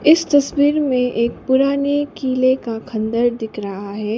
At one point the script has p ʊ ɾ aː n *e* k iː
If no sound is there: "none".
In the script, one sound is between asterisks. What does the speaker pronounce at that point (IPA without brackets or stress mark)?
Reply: e